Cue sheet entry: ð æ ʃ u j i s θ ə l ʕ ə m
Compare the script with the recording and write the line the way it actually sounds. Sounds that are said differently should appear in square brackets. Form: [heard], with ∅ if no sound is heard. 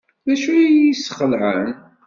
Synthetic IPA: ð æ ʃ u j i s [χ] ə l ʕ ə [n]